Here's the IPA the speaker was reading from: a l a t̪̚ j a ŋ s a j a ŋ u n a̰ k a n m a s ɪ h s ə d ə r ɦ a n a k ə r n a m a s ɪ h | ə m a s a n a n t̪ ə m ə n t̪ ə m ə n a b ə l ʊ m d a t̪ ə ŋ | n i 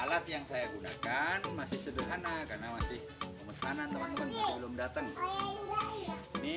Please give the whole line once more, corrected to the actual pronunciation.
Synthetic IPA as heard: a l a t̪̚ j a ŋ s a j a ɡ u n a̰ k a n m a s ɪ h s ə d ə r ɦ a n a k a r n a m a s ɪ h | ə m ə s a n a n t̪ ə m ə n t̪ ə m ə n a b ə l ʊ m d a t̪ ə ŋ | n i